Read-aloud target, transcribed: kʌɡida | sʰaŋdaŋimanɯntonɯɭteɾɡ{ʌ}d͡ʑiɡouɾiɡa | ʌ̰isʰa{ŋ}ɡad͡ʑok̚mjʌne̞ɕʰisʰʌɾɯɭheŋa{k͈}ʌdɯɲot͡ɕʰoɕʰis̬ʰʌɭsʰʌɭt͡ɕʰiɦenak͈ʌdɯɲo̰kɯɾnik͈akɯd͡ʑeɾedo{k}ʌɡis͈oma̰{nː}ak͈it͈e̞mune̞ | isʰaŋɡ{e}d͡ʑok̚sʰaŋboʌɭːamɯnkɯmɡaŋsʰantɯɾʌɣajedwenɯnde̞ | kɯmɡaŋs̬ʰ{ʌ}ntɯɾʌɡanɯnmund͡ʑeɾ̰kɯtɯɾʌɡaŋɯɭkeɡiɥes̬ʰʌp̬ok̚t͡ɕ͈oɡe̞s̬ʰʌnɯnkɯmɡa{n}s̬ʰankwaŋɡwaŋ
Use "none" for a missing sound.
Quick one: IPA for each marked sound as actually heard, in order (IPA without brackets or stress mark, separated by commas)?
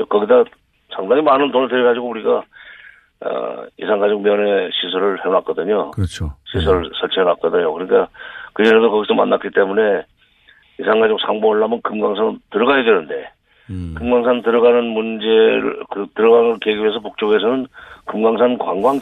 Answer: a, ŋ, k͈, k, nː, a, a, ŋ